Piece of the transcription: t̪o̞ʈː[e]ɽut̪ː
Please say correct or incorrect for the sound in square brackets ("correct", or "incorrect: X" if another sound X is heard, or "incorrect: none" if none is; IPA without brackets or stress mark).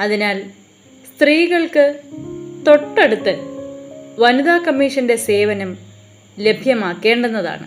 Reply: correct